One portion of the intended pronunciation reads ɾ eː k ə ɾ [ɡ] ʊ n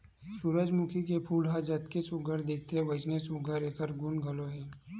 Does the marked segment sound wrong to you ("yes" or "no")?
no